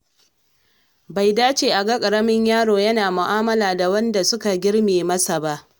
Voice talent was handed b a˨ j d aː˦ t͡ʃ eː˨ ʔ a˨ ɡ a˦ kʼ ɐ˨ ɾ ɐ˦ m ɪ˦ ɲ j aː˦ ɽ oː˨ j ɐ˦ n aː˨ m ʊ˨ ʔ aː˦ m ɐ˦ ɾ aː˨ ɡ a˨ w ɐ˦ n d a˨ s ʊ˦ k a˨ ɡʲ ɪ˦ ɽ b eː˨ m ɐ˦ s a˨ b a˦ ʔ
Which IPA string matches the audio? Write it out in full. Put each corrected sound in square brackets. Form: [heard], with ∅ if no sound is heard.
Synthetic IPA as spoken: b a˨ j d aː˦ t͡ʃ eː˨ ʔ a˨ ɡ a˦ kʼ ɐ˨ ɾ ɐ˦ m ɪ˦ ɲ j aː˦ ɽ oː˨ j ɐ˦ n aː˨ m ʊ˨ ʔ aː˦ m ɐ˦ [l] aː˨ [d] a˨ w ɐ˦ n d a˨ s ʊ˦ k a˨ ɡʲ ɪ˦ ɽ [m] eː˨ m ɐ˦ s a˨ b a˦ ʔ

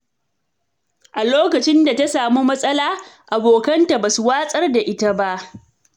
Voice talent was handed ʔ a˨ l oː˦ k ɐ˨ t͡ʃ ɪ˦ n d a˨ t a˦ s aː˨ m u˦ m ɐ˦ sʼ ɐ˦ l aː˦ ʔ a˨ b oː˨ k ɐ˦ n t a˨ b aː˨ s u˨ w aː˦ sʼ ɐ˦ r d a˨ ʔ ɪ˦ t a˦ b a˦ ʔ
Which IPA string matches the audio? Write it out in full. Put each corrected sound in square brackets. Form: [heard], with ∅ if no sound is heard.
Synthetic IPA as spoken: ʔ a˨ l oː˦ k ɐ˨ t͡ʃ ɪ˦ n d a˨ t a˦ s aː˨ m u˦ m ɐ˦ sʼ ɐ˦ l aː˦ ʔ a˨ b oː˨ k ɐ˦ n t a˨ b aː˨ s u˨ w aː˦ sʼ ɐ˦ r d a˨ ʔ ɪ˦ t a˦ b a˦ ʔ

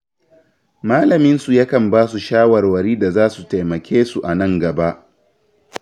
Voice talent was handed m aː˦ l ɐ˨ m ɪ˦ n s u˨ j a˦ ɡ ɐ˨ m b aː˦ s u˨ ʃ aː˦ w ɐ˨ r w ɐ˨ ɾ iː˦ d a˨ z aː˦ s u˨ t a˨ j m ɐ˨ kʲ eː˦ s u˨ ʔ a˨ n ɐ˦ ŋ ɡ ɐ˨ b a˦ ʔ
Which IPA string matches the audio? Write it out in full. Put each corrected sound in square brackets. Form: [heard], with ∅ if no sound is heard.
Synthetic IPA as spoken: m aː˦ l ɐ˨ m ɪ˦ n s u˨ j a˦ [k] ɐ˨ m b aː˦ s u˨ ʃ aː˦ w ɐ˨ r w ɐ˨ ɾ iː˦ d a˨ z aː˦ s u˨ t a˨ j m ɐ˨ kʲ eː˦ s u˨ ʔ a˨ n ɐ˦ ŋ ɡ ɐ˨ b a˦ ʔ

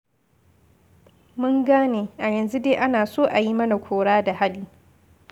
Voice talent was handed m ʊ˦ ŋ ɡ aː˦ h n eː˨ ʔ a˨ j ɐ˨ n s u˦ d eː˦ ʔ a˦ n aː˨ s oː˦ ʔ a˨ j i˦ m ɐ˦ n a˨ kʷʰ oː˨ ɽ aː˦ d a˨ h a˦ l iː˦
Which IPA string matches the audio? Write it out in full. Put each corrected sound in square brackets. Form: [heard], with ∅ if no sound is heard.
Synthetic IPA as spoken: m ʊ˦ ŋ ɡ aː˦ [∅] n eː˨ ʔ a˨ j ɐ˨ n [z] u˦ d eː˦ ʔ a˦ n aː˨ s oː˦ ʔ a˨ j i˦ m ɐ˦ n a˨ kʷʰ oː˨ ɽ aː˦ d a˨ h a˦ l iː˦

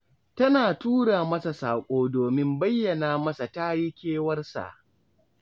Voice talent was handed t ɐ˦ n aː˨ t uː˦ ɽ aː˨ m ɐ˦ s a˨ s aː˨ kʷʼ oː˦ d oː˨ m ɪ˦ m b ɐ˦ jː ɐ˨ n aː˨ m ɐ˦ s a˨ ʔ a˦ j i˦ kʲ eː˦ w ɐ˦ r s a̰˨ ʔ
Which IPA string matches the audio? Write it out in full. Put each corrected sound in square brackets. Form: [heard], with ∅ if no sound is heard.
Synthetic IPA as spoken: t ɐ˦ n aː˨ t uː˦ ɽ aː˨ m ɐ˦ s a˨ s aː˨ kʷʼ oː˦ d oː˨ m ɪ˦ m b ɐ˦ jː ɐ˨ n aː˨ m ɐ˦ s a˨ [t] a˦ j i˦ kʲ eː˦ w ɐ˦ r s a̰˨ ʔ

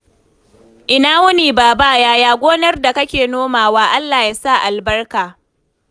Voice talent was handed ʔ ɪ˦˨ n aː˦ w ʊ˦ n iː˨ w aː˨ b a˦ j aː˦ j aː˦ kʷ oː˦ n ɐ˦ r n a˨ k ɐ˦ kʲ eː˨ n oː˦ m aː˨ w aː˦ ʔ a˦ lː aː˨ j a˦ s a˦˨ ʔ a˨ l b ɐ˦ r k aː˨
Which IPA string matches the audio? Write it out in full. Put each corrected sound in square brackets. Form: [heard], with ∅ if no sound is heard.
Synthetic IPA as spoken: ʔ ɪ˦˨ n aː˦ w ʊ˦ n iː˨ [b] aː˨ b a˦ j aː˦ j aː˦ [ɡʷ] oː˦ n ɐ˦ r [d] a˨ k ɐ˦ kʲ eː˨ n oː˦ m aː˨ w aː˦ ʔ a˦ lː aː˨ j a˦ s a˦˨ ʔ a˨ l b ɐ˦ r k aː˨

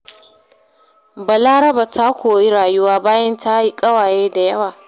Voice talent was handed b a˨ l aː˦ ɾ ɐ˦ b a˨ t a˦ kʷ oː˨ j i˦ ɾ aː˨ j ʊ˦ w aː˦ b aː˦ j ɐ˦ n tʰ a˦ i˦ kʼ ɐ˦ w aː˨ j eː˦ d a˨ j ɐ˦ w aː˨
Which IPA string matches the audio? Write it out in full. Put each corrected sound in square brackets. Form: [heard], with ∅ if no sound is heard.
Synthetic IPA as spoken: b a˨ l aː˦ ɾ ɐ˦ b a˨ t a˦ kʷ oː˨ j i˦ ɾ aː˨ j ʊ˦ w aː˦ b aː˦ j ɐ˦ n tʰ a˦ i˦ kʼ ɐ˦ w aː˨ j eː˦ d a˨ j ɐ˦ w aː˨

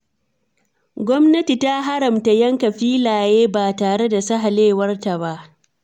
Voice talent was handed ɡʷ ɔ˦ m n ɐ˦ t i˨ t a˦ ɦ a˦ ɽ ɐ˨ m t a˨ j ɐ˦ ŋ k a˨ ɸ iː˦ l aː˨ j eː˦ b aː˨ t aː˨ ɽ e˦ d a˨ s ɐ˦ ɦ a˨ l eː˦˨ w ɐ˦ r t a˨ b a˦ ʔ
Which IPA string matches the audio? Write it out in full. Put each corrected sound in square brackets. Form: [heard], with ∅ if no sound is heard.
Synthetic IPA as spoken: ɡʷ ɔ˦ m n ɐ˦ t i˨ t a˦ ɦ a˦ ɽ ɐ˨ m t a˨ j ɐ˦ ŋ k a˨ ɸ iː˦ l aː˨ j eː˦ b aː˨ t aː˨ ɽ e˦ d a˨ s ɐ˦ ɦ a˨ l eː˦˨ w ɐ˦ r t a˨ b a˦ ʔ

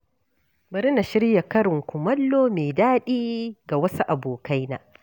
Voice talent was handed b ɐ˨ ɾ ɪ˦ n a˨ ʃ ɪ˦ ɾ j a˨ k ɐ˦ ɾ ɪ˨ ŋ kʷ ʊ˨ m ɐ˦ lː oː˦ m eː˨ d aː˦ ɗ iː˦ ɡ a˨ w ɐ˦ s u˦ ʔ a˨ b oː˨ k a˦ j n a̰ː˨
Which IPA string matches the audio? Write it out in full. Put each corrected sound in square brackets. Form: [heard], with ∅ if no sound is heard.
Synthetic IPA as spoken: b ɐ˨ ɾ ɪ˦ n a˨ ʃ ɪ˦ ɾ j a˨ k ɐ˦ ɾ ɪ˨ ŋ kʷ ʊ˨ m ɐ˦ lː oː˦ m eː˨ d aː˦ ɗ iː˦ ɡ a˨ w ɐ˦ s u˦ ʔ a˨ b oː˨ k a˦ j n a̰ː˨

